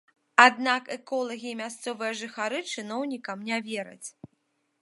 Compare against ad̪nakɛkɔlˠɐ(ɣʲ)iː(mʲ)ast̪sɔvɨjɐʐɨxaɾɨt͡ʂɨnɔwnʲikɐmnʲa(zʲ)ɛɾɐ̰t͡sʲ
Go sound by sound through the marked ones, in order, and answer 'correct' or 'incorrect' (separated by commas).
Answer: correct, correct, incorrect